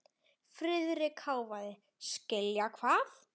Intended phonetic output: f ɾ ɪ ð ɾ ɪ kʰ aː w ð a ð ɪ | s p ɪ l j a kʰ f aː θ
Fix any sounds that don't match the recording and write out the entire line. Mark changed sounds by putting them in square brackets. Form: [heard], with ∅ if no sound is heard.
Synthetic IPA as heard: f ɾ ɪ ð ɾ ɪ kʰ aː w [v] a ð ɪ | s [c] ɪ l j a kʰ [v] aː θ